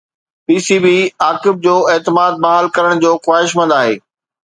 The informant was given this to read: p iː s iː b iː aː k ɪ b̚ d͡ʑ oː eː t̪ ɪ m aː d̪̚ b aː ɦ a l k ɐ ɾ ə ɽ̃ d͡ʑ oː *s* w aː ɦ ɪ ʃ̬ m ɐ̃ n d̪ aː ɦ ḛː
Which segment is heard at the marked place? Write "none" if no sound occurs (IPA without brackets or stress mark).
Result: x